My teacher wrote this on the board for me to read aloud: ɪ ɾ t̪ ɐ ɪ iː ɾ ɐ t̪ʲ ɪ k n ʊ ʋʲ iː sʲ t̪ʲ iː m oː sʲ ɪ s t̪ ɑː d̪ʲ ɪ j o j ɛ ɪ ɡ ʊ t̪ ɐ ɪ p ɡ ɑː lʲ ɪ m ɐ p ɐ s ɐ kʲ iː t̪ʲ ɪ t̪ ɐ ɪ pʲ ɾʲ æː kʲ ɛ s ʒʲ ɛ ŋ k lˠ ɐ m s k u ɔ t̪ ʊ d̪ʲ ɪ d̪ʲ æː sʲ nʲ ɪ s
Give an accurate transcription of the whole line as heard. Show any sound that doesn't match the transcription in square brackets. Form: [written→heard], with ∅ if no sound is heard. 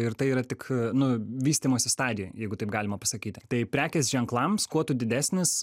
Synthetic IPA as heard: ɪ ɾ t̪ ɐ ɪ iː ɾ ɐ t̪ʲ ɪ k n ʊ ʋʲ iː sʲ t̪ʲ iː m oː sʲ ɪ s t̪ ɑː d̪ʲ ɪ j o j ɛ ɪ ɡ ʊ t̪ ɐ ɪ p ɡ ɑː lʲ ɪ m ɐ p ɐ s ɐ kʲ iː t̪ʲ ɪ t̪ ɐ ɪ pʲ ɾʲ æː kʲ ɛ s ʒʲ ɛ ŋ k lˠ ɐ m s k u ɔ t̪ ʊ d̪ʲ ɪ d̪ʲ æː sʲ nʲ ɪ s